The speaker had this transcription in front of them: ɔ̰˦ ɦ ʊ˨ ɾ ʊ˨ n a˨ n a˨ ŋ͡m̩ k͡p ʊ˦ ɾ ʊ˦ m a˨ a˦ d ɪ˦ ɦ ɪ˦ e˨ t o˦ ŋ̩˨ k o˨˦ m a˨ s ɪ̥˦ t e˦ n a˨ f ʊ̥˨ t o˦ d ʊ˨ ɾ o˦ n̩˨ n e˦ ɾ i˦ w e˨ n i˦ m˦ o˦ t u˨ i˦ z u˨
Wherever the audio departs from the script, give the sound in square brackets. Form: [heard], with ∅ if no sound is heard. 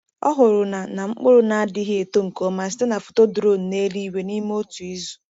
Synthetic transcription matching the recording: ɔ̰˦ ɦ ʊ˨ ɾ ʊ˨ n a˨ n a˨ ŋ͡m̩ k͡p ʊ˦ ɾ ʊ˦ [n] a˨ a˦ d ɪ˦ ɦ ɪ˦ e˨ t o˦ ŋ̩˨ k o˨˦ m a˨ s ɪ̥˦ t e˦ n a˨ f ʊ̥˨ t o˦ d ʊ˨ ɾ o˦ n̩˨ n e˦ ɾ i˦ w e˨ n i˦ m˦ o˦ t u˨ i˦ z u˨